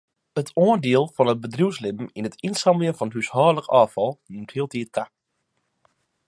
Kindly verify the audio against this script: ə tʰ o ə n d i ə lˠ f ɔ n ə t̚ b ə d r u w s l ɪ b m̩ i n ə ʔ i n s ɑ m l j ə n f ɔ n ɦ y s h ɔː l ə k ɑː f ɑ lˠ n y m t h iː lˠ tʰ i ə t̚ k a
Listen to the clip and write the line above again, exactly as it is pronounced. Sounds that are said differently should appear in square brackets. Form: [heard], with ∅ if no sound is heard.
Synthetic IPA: ə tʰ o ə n d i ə lˠ f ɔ n ə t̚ b ə d r u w s l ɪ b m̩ i n ə [t] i n s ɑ m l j ə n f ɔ n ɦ y s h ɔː l ə k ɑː f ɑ lˠ n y m t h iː lˠ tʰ i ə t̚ k a